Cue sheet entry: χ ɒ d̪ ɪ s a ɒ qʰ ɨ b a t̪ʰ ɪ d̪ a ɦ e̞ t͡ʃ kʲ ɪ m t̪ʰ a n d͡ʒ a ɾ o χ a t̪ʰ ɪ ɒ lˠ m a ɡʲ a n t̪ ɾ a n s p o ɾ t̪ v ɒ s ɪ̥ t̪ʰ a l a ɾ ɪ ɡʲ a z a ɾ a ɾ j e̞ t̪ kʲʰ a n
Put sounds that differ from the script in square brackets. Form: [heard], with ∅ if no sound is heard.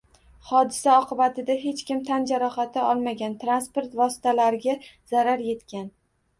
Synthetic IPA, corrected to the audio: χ ɒ d̪ ɪ s a ɒ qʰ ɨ b a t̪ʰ ɪ d̪ a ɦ e̞ t͡ʃ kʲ ɪ m t̪ʰ a n d͡ʒ a ɾ [ɒ] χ a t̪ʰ ɪ ɒ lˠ m a ɡʲ a n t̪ ɾ a n s p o ɾ t̪ v ɒ s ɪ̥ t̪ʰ a l a ɾ ɪ ɡʲ a z a ɾ a ɾ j e̞ t̪ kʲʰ a n

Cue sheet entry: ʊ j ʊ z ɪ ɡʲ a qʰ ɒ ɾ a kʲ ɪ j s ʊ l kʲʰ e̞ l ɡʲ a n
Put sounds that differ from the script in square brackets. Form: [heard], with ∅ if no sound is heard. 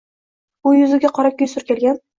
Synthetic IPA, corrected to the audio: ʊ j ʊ z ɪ ɡʲ a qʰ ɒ ɾ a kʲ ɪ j s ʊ [ɾ] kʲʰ e̞ l ɡʲ a n

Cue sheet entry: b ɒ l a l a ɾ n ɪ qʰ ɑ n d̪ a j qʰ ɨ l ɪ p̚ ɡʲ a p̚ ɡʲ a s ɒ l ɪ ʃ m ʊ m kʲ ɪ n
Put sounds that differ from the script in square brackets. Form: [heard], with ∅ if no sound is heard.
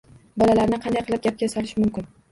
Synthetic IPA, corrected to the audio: b ɒ l a l a ɾ n ɪ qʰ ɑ n d̪ a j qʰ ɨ l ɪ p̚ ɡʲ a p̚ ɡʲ a s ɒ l ɪ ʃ m ʊ m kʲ ɪ n

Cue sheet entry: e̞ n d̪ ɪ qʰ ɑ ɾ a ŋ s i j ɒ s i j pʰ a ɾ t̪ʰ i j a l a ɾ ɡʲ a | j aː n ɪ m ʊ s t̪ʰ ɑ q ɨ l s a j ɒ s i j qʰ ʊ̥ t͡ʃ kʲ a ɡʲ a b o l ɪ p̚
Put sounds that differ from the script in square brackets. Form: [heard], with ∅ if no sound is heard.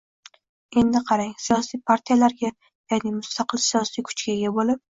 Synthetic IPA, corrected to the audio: e̞ n d̪ ɪ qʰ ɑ ɾ a ŋ s i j ɒ s i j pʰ a ɾ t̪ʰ i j a l a ɾ ɡʲ a | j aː n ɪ m ʊ s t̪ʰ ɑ q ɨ l s [i] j ɒ s i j [kʰ] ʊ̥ t͡ʃ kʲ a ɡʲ a b o l ɪ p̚

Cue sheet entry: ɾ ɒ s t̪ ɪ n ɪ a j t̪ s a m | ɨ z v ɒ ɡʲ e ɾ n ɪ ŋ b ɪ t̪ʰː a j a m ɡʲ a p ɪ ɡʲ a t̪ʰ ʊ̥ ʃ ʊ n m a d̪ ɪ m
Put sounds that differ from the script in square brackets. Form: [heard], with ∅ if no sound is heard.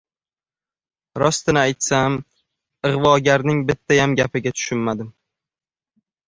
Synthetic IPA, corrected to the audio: ɾ ɒ s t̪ ɪ n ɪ a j t̪ s a m | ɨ [ʁ] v ɒ ɡʲ [a] ɾ n ɪ ŋ b ɪ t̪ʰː a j a m ɡʲ a p ɪ ɡʲ a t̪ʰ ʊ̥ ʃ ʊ n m a d̪ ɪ m

